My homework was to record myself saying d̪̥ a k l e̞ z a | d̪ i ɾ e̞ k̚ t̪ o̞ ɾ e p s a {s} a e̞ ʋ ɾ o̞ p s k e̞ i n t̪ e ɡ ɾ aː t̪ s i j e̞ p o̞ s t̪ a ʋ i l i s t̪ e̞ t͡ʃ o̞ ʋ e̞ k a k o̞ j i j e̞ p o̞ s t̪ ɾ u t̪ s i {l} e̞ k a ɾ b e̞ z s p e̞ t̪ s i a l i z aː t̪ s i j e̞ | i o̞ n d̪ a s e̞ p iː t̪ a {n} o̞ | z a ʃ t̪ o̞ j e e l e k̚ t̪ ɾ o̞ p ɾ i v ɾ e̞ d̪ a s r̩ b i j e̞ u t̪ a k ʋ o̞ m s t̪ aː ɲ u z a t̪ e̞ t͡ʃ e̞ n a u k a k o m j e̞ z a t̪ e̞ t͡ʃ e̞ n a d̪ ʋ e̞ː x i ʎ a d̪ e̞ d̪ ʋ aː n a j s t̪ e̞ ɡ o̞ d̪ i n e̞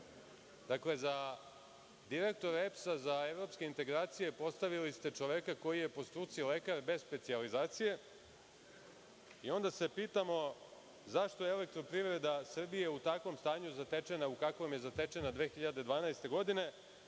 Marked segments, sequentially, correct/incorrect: incorrect, correct, incorrect

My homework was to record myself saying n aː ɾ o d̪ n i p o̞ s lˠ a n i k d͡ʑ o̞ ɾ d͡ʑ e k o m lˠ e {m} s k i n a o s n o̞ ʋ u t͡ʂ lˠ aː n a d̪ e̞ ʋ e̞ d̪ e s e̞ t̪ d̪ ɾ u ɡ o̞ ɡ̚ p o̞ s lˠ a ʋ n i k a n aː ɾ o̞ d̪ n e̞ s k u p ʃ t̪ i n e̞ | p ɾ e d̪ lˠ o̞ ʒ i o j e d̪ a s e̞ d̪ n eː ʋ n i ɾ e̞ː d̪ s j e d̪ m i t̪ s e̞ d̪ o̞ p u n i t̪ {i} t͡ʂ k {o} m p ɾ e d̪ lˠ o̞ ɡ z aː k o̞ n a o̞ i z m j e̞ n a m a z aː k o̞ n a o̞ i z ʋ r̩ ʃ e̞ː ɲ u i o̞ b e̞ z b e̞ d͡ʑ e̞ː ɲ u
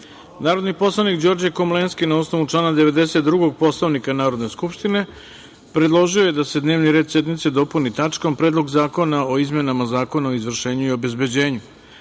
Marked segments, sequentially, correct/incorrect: incorrect, incorrect, correct

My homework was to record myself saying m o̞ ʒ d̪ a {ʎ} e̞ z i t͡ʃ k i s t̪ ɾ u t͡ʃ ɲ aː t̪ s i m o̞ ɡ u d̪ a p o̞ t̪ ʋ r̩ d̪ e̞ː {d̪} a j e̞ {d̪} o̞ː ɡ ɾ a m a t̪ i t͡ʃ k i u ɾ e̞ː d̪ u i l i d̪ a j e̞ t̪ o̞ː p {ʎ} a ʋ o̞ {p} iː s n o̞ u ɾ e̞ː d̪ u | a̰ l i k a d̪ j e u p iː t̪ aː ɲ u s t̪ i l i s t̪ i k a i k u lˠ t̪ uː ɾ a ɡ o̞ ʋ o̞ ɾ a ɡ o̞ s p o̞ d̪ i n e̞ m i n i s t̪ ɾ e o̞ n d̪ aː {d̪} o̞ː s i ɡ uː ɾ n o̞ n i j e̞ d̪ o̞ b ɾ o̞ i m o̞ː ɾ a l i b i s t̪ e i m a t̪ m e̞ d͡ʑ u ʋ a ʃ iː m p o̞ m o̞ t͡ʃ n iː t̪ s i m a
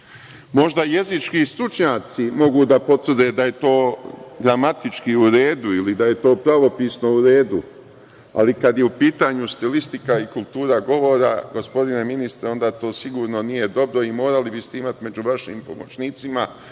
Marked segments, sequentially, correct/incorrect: incorrect, correct, incorrect, incorrect, correct, incorrect

